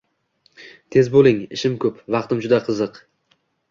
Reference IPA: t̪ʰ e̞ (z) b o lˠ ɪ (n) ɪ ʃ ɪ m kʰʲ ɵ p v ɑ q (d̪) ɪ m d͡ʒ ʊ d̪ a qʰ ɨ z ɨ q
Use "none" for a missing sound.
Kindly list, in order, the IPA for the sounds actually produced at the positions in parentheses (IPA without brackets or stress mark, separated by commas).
z, ŋ, t̪